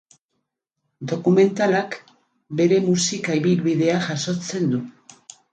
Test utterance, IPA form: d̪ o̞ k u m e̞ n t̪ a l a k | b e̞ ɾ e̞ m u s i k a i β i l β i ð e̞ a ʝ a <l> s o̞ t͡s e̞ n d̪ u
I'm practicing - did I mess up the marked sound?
yes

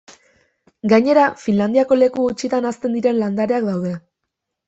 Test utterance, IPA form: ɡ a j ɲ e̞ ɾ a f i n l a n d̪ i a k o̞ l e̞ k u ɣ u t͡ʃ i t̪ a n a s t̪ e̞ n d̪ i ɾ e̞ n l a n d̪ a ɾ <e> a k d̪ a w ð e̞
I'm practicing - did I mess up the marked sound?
no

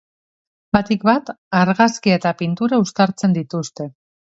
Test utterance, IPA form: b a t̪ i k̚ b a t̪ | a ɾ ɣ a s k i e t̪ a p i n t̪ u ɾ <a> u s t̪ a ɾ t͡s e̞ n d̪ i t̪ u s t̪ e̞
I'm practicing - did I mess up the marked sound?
no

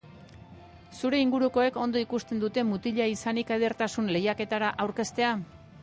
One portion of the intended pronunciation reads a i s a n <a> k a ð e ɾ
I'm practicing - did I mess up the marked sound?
yes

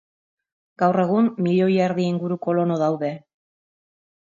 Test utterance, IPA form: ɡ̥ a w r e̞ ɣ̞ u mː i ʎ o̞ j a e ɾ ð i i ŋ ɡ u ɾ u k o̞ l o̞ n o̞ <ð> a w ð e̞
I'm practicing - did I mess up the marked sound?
no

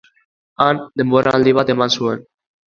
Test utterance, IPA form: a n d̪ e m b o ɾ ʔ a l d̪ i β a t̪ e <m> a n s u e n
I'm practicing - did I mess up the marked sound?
no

